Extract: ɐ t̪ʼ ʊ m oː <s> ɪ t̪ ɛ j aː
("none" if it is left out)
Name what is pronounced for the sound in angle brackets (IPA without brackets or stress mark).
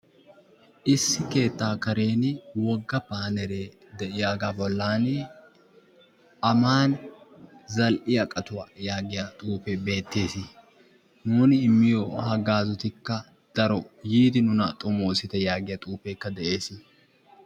s